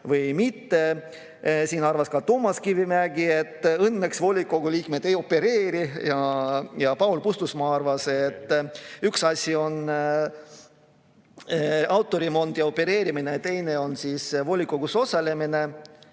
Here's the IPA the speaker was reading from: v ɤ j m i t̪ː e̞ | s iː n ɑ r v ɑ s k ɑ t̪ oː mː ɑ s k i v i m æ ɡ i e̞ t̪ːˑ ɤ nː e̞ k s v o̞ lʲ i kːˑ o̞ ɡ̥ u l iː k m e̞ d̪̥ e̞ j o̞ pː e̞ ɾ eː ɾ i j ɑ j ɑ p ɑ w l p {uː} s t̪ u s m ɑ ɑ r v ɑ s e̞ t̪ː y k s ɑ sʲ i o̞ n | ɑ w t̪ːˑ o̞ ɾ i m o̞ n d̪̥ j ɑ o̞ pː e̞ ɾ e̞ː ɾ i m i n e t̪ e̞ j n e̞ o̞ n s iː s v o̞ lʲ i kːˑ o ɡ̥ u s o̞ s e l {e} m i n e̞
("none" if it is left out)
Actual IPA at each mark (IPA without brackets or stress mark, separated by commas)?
u, e